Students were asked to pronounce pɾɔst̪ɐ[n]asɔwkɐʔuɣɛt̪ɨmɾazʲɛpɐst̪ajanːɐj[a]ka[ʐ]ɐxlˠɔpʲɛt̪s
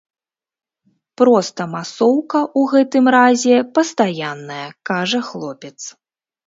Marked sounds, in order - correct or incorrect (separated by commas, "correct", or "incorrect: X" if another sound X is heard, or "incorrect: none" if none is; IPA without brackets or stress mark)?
incorrect: m, incorrect: ɐ, correct